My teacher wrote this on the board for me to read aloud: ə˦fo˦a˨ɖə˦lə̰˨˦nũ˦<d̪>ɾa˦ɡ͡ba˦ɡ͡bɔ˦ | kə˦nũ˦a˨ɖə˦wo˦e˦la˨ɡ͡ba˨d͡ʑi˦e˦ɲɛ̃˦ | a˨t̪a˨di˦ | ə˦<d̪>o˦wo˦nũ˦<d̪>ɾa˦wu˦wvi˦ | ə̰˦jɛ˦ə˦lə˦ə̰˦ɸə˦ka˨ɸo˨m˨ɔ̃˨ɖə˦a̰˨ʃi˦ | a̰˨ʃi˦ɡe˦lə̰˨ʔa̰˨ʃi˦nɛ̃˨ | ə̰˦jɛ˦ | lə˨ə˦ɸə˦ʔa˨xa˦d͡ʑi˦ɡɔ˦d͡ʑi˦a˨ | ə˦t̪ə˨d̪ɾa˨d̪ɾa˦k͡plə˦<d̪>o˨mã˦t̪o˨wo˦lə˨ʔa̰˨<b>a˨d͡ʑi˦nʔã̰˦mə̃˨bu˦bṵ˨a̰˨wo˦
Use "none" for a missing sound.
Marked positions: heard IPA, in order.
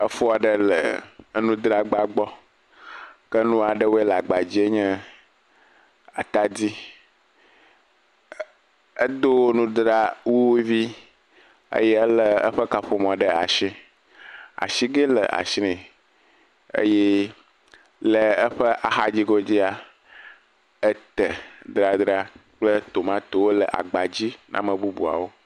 d̪, d̪, d̪, t̪, ɡ͡b

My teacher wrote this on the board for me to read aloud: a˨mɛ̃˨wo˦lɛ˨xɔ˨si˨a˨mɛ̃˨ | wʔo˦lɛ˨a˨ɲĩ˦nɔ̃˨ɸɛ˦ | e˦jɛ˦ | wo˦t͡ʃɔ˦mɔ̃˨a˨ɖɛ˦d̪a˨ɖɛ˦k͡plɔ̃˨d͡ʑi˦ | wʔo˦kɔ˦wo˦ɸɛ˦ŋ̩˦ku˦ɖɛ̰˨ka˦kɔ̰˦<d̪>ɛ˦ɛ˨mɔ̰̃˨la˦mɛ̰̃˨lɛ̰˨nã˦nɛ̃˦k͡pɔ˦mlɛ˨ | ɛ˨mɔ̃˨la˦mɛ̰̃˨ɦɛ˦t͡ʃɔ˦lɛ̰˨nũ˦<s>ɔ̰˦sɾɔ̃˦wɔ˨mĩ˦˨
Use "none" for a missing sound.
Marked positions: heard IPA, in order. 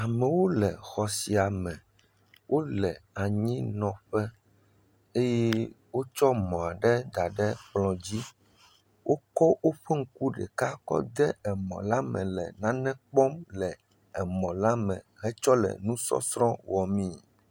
d̪, s

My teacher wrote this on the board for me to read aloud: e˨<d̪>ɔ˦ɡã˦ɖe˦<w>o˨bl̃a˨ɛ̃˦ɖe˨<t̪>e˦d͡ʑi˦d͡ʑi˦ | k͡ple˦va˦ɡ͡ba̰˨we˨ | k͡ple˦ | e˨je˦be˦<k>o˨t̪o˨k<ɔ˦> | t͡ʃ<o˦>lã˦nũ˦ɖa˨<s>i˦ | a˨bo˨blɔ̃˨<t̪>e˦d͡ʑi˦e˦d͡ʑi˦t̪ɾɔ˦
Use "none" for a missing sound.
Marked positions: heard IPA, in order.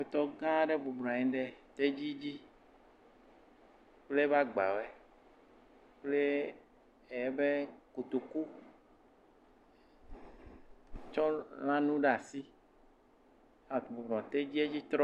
t̪, b, t̪, k, u˦, ɔ˦, s, t̪

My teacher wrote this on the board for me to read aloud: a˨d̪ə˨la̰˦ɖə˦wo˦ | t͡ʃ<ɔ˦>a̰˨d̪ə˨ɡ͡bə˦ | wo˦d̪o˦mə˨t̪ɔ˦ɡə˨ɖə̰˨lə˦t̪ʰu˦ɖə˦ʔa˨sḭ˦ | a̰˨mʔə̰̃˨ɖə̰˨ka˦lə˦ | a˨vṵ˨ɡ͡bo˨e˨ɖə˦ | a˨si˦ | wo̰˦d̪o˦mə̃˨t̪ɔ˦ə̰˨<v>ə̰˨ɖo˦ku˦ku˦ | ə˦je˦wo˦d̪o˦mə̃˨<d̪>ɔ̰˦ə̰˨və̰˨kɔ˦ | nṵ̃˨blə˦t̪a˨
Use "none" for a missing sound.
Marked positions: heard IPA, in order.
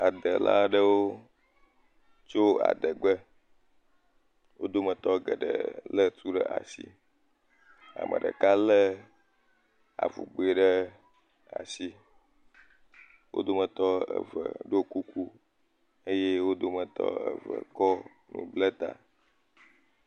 o˦, v, t̪

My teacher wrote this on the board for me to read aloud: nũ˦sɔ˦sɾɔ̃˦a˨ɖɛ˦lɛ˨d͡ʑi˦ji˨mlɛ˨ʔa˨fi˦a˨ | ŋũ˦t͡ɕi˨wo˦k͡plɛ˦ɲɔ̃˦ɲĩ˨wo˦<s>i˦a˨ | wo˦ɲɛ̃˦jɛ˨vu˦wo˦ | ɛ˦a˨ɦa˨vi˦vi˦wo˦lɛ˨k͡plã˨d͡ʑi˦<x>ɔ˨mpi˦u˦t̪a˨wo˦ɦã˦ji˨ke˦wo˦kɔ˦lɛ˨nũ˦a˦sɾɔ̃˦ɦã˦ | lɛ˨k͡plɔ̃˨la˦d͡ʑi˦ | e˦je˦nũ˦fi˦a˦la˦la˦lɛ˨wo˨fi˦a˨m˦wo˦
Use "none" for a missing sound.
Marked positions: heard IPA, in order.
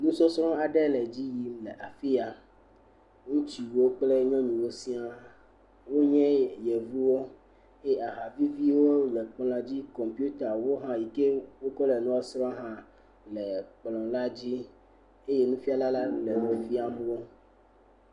s, k

